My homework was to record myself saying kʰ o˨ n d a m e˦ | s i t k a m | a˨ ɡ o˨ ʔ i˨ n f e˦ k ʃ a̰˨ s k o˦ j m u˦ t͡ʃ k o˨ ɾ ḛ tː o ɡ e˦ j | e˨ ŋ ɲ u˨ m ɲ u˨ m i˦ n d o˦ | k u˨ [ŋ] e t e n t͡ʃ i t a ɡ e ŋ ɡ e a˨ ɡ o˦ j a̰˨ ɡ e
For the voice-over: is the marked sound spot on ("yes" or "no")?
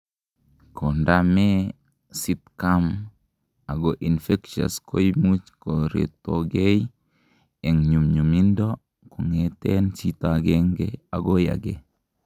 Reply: yes